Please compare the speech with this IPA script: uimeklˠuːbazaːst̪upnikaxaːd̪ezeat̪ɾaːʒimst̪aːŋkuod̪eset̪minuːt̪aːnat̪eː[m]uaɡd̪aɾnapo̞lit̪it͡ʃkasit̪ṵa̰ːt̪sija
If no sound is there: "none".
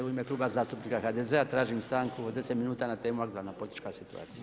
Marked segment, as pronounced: m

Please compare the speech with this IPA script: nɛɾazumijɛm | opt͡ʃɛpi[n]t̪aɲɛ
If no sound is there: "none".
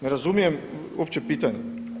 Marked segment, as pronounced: none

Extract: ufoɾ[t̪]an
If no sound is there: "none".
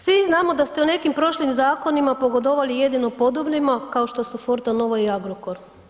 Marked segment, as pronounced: t̪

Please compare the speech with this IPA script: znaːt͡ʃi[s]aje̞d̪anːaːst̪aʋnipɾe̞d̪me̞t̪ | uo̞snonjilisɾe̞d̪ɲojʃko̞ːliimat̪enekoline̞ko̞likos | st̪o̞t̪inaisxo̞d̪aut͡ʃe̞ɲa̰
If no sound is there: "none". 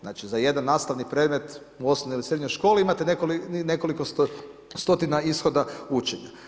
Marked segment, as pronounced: z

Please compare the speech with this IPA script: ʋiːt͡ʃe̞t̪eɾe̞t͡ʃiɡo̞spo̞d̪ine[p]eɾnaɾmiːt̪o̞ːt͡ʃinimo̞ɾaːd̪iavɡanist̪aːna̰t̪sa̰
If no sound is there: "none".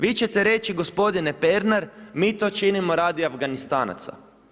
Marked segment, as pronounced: p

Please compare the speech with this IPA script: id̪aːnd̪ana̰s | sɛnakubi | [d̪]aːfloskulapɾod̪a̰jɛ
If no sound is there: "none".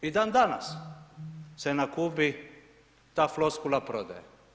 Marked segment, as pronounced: t̪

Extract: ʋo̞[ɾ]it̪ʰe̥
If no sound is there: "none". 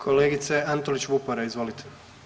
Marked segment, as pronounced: l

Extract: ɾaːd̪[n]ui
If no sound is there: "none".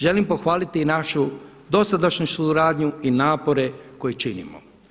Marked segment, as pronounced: ɲ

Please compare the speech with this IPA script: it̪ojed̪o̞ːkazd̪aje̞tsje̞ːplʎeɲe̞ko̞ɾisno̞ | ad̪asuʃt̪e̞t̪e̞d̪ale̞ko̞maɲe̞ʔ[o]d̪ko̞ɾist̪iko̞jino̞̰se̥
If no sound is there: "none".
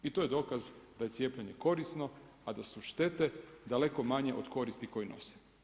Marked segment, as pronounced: o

